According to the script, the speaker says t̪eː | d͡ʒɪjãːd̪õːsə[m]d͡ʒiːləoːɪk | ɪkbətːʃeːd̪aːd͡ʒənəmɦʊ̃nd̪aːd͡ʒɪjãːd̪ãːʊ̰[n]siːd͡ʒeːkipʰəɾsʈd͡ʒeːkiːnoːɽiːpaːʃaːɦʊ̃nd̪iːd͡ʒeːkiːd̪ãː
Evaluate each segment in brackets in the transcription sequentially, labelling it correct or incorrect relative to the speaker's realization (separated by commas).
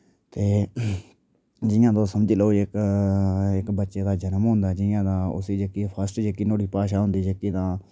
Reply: correct, incorrect